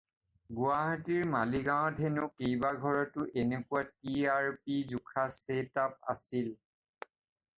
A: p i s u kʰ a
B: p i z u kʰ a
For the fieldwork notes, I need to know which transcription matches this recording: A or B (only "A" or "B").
B